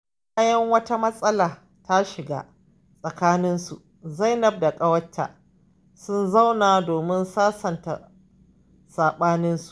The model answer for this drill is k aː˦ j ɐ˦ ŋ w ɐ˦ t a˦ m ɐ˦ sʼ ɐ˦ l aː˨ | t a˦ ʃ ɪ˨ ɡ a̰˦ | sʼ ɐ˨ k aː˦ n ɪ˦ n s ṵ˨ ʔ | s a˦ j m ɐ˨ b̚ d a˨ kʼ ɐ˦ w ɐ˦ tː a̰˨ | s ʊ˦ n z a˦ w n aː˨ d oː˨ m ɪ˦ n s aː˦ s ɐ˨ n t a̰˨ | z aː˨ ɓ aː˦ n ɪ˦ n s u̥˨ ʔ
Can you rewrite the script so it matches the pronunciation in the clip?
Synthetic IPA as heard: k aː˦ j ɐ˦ ŋ w ɐ˦ t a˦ m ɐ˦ sʼ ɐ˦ l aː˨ | t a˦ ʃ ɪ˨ ɡ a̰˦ | sʼ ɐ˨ k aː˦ n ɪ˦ n s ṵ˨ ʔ | z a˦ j n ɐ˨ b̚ d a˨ kʼ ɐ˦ w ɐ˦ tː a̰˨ | s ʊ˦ n z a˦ w n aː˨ d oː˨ m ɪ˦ n s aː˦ s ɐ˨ n t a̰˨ | s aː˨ ɓ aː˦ n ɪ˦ n s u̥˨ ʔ